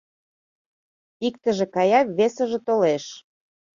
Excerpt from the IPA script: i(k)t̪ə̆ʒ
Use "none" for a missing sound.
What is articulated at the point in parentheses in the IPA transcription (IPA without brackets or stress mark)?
k